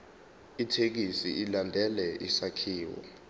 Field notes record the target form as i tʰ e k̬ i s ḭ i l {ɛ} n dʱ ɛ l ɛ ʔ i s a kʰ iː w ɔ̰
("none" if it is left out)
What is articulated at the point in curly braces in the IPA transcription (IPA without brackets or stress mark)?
a